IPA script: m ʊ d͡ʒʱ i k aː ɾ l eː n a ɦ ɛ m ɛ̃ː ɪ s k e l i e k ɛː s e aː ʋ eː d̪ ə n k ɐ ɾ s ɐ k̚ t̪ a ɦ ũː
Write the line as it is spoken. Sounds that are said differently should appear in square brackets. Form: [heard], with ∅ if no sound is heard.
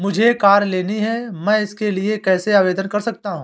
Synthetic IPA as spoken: m ʊ d͡ʒʱ [e] k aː ɾ l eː n [i] ɦ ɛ m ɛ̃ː ɪ s k e l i e k ɛː s e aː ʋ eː d̪ ə n k ɐ ɾ s ɐ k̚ t̪ a ɦ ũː